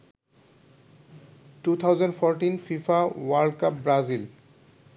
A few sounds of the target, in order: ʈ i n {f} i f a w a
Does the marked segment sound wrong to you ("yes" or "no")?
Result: no